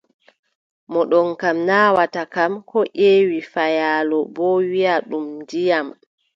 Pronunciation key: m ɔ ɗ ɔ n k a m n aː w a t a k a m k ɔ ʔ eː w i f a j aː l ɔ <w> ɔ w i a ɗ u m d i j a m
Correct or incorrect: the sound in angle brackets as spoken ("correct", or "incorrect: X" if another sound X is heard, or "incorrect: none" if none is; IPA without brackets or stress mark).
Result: incorrect: b